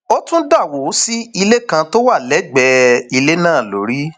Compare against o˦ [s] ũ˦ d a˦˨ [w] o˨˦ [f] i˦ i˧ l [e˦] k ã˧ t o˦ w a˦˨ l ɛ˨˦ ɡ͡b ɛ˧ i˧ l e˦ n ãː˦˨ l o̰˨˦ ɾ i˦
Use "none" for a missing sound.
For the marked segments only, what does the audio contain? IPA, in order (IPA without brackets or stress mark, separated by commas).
t, w, s, e˦